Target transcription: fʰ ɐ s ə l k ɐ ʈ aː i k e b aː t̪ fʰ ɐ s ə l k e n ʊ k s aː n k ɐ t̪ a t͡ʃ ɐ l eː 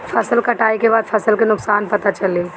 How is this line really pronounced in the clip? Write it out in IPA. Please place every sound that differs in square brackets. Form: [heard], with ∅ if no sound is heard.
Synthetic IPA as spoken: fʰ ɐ s ə l k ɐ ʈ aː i k e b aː [d̪] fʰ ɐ s ə l k e n ʊ k s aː n [p] ɐ t̪ a t͡ʃ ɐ l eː